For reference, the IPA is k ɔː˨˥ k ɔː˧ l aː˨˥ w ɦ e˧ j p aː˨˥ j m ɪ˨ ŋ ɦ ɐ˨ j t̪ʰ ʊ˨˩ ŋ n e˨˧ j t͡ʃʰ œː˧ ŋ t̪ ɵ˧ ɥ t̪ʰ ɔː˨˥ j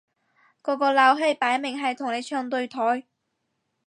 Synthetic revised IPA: k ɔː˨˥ k ɔː˧ l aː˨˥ w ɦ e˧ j p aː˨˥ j m ɪ˨ ŋ ɦ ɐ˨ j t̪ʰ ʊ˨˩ ŋ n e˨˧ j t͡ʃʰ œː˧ ŋ t̪ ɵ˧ ɥ t̪ʰ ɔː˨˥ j

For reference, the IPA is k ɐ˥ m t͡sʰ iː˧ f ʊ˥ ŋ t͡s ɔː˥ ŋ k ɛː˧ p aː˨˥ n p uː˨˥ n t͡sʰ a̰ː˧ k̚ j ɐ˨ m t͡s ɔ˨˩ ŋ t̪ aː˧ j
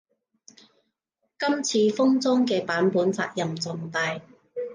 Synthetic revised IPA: k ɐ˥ m t͡sʰ iː˧ f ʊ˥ ŋ t͡s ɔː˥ ŋ k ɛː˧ p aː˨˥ n p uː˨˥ n t͡s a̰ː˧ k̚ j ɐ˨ m t͡s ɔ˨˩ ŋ t̪ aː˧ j

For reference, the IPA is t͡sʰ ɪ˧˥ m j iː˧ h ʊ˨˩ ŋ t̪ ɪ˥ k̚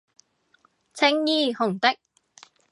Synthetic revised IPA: t͡sʰ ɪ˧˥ ŋ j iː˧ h ʊ˨˩ ŋ t̪ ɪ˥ k̚

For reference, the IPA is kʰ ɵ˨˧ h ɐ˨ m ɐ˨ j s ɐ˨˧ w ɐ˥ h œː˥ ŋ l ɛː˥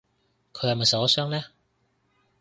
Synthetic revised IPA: kʰ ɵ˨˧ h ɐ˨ m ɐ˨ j s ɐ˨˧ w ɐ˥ s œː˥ ŋ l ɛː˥

